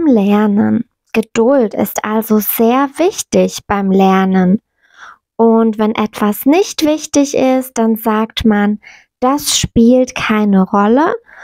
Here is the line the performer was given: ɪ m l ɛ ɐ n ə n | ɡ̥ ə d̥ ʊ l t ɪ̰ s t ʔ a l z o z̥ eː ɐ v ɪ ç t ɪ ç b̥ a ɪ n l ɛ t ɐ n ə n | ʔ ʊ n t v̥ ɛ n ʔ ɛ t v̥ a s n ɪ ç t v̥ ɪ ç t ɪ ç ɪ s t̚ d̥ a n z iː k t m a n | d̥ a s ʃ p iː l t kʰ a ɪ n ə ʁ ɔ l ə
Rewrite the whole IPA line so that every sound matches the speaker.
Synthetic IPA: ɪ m l ɛ ɐ n ə n | ɡ̥ ə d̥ ʊ l t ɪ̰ s t ʔ a l z o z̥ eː ɐ v ɪ ç t ɪ ç b̥ a ɪ m l ɛ ɐ n ə n | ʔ ʊ n t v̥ ɛ n ʔ ɛ t v̥ a s n ɪ ç t v̥ ɪ ç t ɪ ç ɪ s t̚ d̥ a n z aː k t m a n | d̥ a s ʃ p iː l t kʰ a ɪ n ə ʁ ɔ l ə